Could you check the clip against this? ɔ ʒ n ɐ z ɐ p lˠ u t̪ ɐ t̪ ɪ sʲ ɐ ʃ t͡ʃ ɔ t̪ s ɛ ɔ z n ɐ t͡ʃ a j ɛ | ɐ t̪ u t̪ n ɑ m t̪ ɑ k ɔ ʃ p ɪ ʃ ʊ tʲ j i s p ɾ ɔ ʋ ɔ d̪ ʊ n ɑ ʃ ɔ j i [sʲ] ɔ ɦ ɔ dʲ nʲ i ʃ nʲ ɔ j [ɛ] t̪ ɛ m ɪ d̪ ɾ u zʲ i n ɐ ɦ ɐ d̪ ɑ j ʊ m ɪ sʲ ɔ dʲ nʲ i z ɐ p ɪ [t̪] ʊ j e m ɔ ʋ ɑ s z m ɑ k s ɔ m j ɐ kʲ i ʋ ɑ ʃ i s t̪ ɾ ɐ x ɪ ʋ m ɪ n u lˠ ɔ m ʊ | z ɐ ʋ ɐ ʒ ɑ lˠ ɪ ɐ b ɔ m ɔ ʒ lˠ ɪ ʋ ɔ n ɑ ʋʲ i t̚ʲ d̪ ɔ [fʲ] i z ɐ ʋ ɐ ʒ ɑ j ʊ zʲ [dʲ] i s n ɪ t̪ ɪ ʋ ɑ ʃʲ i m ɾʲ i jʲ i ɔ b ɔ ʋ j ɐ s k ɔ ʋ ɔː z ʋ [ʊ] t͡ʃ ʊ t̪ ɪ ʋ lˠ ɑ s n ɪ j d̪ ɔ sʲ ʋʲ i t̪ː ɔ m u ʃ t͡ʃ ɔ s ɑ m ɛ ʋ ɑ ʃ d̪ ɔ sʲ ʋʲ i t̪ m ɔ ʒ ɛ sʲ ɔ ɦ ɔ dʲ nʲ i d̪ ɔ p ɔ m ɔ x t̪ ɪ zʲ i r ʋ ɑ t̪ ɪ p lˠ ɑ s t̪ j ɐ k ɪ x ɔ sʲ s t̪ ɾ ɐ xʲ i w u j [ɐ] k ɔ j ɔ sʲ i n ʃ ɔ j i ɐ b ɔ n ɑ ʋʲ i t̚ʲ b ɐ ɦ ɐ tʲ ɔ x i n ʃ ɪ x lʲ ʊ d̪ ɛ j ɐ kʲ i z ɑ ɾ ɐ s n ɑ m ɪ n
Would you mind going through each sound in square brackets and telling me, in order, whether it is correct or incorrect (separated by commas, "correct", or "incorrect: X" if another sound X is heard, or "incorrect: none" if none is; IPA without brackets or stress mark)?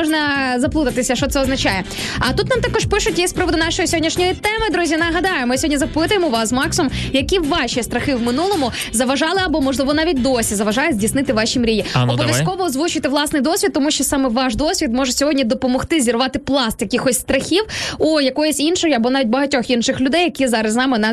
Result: correct, incorrect: i, correct, incorrect: sʲ, correct, incorrect: u, correct